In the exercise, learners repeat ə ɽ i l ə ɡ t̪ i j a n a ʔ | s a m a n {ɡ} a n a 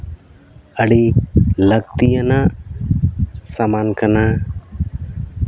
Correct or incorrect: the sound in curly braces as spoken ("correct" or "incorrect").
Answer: incorrect